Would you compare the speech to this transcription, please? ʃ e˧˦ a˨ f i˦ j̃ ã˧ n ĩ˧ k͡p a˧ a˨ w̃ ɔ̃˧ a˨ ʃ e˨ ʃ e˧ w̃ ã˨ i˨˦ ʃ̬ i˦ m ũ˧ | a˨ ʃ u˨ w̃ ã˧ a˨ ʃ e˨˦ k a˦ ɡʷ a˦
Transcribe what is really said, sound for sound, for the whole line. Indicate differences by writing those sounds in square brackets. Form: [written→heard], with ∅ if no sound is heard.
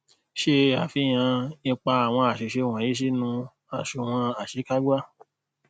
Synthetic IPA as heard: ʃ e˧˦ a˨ f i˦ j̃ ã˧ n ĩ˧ k͡p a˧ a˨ w̃ ɔ̃˧ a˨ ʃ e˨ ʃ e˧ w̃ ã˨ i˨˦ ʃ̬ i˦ [m→n] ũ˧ | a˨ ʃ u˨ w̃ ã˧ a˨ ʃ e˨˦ k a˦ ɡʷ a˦

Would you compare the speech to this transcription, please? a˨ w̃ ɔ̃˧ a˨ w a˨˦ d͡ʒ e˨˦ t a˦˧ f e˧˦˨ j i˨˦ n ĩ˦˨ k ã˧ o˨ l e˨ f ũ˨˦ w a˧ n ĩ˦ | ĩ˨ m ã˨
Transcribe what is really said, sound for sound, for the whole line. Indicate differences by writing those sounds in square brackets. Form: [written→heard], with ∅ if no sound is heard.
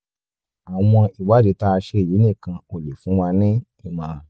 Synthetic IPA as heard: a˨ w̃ ɔ̃˧ [a˨→i˨] w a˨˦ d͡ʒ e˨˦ t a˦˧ [f→ʃ] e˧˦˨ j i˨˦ n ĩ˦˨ k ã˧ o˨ l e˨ f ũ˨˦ w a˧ n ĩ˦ | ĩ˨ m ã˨

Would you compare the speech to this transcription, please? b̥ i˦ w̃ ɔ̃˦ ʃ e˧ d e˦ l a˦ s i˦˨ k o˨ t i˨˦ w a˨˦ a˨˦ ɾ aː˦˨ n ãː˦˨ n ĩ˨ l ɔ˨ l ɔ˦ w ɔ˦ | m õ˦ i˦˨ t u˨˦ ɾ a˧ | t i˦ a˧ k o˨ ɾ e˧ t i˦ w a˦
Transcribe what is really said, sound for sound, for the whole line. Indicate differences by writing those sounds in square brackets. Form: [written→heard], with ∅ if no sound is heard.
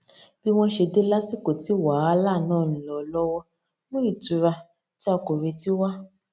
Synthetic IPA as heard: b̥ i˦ w̃ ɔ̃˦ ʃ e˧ d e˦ l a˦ s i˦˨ k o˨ t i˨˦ w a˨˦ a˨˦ [ɾ→l] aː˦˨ n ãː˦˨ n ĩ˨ l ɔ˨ l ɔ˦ w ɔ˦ | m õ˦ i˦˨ t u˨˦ ɾ a˧ | t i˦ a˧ k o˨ ɾ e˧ t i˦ w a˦

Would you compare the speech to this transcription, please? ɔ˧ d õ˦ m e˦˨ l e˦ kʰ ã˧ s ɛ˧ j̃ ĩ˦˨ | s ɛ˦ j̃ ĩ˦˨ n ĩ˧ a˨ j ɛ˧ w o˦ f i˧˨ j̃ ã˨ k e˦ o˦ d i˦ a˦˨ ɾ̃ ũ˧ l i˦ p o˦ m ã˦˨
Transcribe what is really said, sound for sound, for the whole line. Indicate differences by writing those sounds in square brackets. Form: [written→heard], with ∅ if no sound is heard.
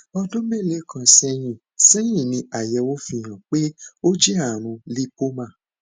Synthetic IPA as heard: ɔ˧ d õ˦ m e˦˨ l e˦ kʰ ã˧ s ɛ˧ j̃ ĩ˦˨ | s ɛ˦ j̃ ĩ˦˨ n ĩ˧ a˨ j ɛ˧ w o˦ f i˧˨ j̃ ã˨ [k→k͡p] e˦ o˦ [d→d͡ʒ] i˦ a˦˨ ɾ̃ ũ˧ l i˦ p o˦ m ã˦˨

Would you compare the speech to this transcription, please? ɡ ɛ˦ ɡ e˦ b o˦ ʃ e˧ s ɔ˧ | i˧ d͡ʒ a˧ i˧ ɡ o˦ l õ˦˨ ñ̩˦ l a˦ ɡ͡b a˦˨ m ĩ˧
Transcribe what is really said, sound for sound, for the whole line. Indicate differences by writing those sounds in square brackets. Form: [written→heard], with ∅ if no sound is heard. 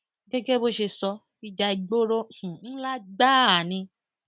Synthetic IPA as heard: ɡ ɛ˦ ɡ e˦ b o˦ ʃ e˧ s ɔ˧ | i˧ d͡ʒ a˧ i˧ [ɡ→ɡ͡b] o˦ [l→ɾ] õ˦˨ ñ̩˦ l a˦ ɡ͡b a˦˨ [m→n] ĩ˧

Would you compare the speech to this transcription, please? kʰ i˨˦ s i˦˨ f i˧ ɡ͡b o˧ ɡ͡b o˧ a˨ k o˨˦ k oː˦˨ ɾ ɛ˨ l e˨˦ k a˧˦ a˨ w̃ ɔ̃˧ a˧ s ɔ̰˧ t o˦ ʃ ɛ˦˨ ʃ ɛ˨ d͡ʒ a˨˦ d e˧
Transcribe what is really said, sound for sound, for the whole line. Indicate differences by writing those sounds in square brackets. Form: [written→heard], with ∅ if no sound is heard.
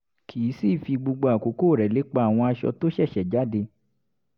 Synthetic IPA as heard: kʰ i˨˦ s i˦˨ f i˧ ɡ͡b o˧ ɡ͡b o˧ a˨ k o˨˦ k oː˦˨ ɾ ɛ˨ l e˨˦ [k→k͡p] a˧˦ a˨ w̃ ɔ̃˧ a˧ [s→ʃ] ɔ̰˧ t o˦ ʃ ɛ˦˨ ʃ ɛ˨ d͡ʒ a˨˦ d e˧

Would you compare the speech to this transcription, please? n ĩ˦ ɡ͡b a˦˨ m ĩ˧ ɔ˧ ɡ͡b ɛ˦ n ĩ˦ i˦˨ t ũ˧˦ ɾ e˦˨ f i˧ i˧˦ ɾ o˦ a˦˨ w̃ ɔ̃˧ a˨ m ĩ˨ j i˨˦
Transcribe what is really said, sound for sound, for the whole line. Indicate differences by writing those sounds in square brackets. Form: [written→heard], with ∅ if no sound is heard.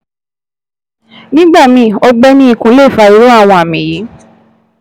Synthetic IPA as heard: n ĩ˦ ɡ͡b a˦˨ m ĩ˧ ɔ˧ ɡ͡b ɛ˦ n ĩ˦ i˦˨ [t→k] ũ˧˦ [ɾ→l] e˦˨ f [i˧→a˧] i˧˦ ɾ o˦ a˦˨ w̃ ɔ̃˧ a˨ m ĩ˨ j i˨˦

